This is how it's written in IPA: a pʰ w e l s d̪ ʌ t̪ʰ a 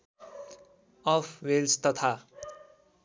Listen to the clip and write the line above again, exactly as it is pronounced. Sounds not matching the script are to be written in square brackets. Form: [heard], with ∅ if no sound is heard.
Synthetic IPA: [ʌ] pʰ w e l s [t̪] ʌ t̪ʰ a